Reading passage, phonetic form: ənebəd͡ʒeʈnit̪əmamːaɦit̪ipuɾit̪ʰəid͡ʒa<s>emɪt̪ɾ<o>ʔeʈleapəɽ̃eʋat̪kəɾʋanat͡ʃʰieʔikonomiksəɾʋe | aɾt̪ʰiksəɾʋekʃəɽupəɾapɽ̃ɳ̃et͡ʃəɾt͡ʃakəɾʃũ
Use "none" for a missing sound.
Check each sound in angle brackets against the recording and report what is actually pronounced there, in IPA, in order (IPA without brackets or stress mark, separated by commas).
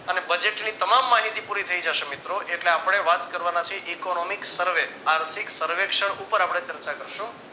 ʃ, o